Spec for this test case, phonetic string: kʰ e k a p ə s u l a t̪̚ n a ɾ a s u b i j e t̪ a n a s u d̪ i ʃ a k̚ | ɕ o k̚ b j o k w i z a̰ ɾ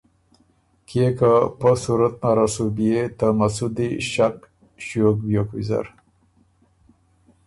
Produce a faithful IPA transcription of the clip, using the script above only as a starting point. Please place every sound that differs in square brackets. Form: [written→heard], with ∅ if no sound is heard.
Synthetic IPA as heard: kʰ e k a p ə s u [l→ɾ] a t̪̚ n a ɾ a s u b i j e t̪ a [n→m] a s u d̪ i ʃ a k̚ | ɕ o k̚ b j o k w i z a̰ ɾ